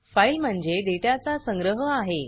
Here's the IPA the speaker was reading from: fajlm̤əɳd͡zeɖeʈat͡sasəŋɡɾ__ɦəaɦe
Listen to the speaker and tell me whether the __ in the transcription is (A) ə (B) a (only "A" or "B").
A